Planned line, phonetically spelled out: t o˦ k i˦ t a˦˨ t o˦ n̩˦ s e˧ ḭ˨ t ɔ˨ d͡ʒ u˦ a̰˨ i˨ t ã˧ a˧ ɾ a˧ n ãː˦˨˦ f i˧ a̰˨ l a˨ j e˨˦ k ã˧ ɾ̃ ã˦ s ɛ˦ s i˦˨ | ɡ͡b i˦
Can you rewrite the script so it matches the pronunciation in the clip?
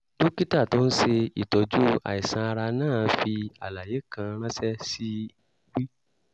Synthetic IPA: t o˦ k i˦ t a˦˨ t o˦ n̩˦ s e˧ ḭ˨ t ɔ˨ d͡ʒ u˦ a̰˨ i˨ s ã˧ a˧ ɾ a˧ n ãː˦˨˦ f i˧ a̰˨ l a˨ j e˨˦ k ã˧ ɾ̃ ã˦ s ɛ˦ s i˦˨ | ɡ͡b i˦